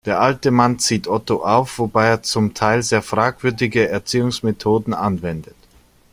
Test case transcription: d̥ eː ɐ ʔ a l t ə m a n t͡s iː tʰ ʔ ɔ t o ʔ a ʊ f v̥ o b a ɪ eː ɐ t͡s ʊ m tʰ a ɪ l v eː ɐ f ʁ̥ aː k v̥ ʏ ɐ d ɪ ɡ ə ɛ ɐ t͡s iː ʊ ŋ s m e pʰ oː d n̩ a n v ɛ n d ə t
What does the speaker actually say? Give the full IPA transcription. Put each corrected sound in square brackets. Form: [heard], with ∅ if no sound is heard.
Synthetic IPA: d̥ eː ɐ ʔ a l t ə m a n t͡s iː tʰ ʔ ɔ t o ʔ a ʊ f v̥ o b a ɪ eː ɐ t͡s ʊ m tʰ a ɪ l [z] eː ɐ f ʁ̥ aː k v̥ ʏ ɐ d ɪ ɡ ə ɛ ɐ t͡s iː ʊ ŋ s m e [tʰ] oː d n̩ a n v ɛ n d ə t